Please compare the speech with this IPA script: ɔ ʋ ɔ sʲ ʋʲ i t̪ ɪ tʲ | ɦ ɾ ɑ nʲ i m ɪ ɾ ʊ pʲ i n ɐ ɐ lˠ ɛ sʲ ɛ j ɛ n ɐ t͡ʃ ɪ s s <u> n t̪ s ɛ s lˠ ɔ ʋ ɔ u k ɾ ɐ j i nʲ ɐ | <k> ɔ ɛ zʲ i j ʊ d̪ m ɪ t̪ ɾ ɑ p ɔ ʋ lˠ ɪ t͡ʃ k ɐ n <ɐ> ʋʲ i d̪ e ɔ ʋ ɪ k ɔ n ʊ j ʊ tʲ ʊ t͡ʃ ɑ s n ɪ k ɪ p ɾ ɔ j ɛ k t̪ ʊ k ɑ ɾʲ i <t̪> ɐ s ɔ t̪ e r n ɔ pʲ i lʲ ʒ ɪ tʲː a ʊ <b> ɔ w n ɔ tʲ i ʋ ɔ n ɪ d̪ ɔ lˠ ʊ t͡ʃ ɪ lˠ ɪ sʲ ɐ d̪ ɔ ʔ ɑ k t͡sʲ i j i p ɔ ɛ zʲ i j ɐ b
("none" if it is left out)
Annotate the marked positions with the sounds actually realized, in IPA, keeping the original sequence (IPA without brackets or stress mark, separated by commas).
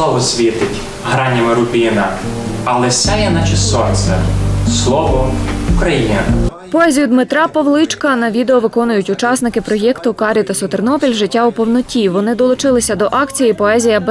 ɔ, p, ɐ, t̪, p